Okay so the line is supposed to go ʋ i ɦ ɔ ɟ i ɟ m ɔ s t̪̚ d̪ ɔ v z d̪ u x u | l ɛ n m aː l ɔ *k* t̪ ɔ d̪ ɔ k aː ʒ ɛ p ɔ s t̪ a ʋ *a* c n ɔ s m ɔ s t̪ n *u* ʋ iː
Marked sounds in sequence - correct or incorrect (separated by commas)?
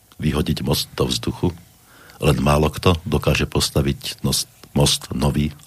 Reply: correct, incorrect, incorrect